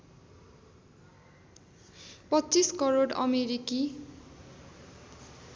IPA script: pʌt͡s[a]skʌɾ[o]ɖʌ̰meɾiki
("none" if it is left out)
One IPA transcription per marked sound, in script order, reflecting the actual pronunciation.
i, o

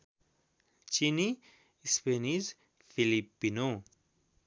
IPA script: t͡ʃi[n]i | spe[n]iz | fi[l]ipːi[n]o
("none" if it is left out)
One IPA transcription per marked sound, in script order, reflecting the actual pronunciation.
n, n, l, n

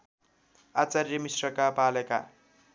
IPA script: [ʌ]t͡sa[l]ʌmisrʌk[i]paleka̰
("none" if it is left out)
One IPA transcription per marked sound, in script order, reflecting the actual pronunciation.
a, r, a

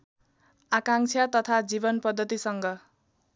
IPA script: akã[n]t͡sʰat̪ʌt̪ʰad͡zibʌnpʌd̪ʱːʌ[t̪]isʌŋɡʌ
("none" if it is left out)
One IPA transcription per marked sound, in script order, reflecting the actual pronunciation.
ŋ, t̪

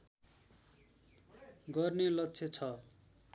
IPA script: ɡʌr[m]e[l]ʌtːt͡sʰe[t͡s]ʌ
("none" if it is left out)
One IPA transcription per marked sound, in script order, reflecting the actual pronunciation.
n, l, t͡sʰ

